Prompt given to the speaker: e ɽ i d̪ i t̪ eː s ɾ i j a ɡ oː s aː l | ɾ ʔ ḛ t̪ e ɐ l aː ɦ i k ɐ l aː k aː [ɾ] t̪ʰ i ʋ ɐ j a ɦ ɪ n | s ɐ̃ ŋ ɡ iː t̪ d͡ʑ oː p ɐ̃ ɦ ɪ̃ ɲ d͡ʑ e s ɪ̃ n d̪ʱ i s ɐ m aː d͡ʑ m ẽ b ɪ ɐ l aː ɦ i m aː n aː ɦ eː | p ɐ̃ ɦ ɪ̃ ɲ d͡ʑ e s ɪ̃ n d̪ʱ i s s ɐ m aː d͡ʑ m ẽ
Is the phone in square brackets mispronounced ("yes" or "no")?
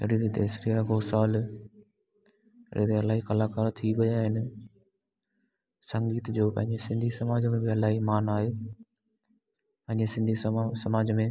no